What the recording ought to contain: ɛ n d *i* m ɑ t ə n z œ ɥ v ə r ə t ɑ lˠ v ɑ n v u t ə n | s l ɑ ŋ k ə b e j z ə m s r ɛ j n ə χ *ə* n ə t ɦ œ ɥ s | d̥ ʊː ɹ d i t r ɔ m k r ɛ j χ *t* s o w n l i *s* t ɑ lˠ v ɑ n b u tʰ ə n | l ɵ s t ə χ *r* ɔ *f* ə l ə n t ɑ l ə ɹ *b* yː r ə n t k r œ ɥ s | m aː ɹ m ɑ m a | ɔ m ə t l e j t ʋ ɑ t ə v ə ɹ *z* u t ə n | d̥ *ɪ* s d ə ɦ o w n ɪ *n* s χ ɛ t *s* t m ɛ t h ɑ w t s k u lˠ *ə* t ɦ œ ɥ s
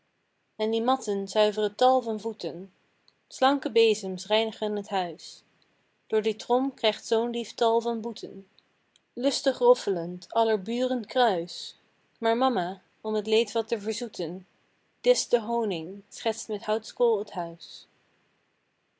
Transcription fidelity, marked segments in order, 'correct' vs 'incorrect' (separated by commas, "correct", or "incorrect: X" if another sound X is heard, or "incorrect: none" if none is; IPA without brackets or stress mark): correct, correct, correct, incorrect: f, correct, correct, correct, correct, correct, incorrect: ŋ, correct, correct